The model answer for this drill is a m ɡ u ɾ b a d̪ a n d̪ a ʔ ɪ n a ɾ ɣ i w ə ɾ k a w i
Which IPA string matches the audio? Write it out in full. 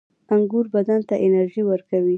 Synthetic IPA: a ŋ ɡ u ɾ b a d̪ a n t̪ a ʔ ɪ n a ɾ ʒ i w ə ɾ k a w i